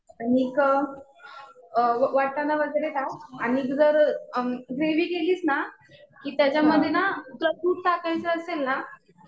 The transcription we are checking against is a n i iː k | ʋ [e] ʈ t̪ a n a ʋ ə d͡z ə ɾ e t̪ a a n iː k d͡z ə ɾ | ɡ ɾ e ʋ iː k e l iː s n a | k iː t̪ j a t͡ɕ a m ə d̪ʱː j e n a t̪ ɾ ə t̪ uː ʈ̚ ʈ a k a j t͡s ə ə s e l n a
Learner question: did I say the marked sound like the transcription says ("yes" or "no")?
no